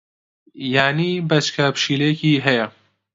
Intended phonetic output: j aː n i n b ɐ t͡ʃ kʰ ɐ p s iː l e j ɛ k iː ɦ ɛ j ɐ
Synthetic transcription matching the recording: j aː n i b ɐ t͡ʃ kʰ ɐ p ʃ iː l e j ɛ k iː ɦ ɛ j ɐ